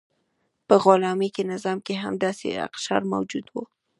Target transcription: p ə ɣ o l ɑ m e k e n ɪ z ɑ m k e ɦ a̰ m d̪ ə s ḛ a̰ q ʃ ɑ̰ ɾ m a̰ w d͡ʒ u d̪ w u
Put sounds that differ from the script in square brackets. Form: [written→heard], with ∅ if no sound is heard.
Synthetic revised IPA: p ə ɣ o l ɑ m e k e n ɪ z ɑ m k e ɦ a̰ m d̪ [ə→ɑ] s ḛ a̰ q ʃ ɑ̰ ɾ m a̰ w d͡ʒ u d̪ w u